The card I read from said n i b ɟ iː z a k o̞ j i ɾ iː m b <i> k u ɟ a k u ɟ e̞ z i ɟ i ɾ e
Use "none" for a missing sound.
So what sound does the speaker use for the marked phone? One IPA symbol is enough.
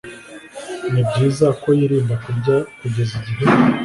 a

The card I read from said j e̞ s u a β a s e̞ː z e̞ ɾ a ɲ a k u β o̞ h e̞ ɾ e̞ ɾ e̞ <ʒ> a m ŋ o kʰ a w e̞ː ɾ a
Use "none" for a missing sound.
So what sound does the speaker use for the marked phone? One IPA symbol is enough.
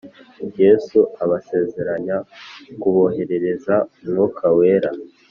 z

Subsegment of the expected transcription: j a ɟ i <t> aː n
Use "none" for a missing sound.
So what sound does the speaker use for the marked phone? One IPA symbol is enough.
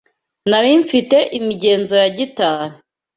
t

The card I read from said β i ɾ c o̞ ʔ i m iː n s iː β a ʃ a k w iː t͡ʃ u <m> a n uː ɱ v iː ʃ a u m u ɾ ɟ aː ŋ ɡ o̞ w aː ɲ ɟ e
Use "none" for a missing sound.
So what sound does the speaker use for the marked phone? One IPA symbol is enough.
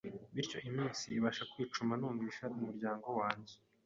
m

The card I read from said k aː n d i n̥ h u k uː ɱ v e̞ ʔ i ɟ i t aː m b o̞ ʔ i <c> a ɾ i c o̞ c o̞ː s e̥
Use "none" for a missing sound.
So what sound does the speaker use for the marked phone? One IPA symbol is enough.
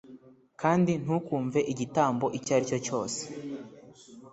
c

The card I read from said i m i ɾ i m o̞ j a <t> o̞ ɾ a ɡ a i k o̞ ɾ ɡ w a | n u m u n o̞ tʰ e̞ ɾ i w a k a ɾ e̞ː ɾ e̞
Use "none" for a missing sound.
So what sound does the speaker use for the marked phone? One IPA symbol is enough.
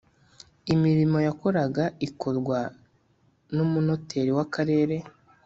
k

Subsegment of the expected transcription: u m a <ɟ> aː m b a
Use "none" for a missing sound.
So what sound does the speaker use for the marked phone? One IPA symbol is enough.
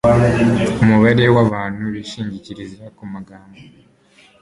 ɡ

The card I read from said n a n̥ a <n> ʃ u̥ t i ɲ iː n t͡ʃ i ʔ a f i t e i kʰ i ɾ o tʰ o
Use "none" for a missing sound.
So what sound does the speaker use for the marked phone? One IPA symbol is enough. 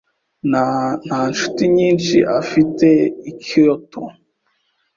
n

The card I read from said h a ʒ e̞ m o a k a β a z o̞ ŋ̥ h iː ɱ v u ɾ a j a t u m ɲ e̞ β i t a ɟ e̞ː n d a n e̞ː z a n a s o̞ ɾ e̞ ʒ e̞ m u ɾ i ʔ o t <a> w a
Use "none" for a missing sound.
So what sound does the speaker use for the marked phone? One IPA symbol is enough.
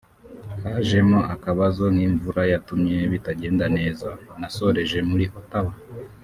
a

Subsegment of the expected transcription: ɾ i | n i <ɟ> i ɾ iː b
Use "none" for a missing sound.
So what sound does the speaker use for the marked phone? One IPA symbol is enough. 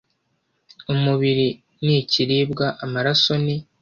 c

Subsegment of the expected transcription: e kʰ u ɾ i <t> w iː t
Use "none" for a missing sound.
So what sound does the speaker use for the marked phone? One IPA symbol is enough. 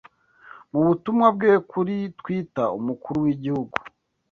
t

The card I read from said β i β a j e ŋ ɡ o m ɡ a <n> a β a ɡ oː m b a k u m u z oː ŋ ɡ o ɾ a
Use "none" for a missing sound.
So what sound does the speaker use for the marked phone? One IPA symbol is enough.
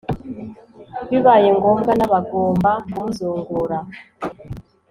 n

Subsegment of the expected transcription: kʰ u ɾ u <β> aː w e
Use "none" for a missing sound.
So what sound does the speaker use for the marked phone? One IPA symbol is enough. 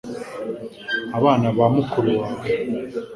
w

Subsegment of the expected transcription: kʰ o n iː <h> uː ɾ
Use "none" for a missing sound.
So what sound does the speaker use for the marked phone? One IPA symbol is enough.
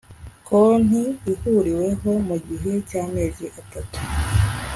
h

